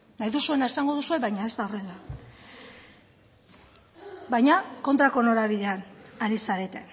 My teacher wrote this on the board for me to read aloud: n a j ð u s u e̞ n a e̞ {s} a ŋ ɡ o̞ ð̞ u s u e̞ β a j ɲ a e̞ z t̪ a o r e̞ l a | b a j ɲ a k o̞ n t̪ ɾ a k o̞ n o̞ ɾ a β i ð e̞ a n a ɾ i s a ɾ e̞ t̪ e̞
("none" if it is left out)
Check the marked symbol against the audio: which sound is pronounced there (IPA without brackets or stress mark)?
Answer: s